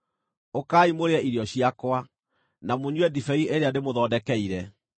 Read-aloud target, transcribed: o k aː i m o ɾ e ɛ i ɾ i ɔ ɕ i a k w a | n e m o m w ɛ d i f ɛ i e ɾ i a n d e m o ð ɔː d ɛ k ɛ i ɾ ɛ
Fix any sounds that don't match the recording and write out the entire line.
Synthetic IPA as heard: o k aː i m o ɾ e ɛ i ɾ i ɔ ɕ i a k w a | n a m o ɲ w ɛ d i f ɛ i e ɾ e a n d e m o ð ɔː d ɛ k ɛ i ɾ ɛ